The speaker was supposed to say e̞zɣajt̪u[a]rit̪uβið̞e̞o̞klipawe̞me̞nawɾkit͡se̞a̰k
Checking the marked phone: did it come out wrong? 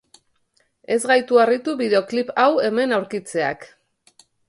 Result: no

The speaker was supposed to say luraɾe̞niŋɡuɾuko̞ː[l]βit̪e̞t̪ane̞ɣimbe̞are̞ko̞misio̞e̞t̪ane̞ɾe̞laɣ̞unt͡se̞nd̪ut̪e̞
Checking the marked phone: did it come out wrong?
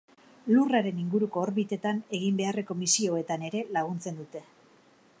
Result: yes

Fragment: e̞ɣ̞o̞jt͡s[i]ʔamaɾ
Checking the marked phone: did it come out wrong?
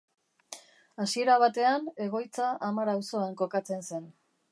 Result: yes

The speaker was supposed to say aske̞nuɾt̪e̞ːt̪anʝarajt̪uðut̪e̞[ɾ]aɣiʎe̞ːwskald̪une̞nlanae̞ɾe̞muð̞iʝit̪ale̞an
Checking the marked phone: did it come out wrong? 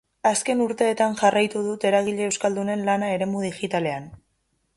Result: no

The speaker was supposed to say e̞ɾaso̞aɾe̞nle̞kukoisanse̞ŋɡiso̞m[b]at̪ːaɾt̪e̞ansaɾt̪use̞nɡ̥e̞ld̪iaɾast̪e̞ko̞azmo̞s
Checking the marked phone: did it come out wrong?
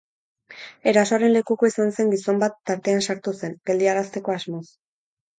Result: no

